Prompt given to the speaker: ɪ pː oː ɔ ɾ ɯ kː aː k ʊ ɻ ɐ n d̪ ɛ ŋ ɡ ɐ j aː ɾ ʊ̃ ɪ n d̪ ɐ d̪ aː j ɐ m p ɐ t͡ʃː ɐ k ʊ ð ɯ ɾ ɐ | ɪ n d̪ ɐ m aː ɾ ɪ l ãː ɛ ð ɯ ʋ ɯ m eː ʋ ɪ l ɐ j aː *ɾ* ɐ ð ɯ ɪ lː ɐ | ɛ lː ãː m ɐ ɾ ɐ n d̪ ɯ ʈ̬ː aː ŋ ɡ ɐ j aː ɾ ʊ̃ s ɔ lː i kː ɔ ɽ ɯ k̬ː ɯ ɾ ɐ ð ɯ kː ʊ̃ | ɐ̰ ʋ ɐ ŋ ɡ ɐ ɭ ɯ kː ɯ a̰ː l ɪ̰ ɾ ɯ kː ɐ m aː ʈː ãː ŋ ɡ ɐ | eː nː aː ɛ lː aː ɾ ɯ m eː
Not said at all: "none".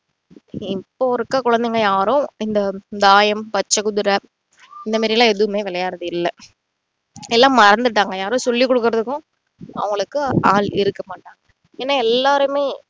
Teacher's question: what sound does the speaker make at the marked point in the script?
ɾ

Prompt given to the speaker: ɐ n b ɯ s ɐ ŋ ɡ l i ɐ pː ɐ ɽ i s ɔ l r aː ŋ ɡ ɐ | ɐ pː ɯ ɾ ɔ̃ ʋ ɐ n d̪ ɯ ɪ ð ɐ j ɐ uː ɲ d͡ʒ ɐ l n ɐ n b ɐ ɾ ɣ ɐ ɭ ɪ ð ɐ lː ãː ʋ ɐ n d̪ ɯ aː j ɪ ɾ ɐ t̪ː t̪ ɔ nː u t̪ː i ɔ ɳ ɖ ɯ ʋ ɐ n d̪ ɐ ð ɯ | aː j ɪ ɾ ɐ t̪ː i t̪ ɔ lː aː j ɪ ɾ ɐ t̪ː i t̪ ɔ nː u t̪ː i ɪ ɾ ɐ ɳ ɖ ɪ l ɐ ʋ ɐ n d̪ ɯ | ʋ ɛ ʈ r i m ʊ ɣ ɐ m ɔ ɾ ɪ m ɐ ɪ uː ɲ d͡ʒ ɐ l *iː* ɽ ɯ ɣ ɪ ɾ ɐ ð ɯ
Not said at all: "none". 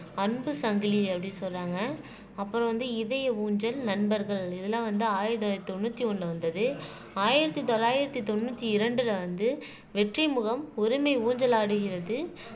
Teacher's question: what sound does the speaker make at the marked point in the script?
aː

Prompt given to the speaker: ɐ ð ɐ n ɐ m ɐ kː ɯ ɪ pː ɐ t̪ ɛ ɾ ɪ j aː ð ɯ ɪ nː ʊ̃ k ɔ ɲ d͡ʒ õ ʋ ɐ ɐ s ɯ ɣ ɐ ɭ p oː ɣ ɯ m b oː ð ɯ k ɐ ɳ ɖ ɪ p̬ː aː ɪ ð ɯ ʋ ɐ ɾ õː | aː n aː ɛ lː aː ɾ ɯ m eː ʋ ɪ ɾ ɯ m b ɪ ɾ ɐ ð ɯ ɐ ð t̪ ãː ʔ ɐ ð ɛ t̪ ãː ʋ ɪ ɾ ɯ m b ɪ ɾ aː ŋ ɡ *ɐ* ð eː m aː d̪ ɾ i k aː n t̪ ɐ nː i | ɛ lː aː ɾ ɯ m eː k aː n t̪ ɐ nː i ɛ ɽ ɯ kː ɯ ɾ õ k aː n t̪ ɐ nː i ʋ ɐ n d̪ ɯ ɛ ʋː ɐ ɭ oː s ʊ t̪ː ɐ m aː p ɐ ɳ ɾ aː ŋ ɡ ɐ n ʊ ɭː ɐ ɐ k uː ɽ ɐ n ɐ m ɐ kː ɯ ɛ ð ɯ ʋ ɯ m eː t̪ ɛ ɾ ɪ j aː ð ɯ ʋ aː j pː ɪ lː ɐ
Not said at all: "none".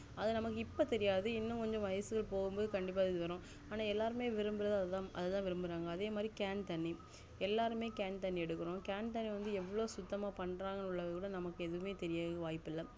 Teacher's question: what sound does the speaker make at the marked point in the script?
ɐː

